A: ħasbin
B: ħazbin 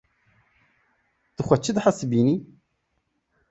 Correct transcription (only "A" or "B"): A